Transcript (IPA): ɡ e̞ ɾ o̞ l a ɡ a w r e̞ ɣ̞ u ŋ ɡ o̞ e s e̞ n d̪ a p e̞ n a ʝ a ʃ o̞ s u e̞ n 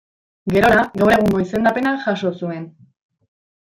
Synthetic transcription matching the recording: ɡ e̞ ɾ o̞ ɾ a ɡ a w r e̞ ɣ̞ u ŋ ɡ o̞ i s e̞ n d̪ a p e̞ n a ʝ a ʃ o̞ s u e̞ n